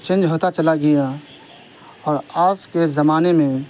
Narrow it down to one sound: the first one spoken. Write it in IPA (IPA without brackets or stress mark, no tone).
t͡ʃ